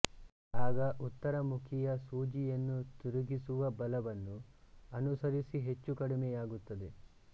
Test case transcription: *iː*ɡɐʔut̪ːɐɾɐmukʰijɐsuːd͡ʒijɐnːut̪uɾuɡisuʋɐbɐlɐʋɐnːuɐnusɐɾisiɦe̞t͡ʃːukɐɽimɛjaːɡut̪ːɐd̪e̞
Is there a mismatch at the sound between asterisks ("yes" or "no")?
yes